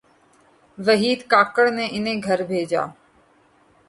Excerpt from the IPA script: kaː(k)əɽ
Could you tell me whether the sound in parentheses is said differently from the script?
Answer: no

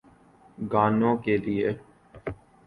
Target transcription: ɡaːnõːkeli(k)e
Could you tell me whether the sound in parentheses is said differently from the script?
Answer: yes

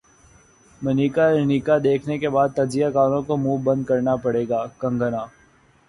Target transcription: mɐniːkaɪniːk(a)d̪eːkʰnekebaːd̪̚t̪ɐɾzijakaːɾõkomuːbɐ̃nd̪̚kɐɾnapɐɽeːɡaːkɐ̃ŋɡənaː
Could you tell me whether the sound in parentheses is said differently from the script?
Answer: no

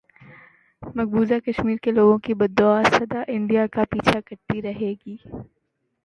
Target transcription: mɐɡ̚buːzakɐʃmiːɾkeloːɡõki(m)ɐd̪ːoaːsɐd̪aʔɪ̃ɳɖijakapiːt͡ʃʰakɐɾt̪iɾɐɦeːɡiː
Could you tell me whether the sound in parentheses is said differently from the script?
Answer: yes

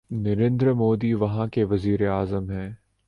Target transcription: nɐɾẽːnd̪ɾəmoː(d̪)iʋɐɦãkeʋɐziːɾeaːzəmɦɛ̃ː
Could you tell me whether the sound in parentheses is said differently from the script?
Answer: no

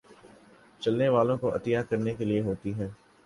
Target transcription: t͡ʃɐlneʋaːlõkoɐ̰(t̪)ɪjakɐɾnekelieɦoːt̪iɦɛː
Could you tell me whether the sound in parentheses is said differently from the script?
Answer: no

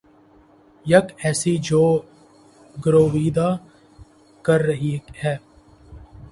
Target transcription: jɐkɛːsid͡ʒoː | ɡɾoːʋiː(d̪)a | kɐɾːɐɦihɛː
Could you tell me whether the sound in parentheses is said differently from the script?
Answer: no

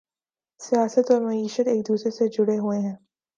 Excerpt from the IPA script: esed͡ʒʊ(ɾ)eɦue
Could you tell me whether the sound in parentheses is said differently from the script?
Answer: yes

